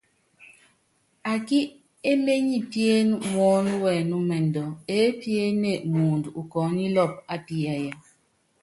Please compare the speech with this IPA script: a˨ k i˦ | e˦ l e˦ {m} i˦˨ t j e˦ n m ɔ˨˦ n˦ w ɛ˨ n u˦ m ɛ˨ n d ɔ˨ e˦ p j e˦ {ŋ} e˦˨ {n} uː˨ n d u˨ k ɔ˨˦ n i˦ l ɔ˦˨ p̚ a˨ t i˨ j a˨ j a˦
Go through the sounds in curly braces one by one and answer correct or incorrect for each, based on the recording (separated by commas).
incorrect, incorrect, incorrect